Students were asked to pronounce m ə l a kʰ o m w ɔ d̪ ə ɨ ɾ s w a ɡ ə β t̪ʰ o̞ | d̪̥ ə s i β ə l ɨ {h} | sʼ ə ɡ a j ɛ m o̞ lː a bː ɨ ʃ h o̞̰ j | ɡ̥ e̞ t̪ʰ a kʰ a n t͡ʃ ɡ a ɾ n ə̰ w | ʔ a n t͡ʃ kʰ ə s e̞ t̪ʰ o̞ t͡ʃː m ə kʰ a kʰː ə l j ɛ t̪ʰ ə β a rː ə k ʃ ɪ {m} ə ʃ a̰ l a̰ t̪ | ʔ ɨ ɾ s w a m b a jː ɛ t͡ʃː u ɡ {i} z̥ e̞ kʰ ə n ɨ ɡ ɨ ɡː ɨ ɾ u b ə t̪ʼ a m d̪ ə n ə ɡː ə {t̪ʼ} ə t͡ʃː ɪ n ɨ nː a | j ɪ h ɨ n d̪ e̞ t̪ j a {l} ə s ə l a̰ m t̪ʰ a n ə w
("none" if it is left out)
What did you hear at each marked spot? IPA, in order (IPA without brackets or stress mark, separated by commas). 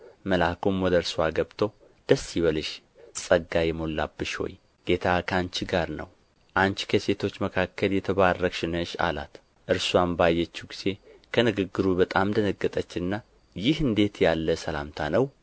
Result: ʃ, n, i, t̪ʼ, lː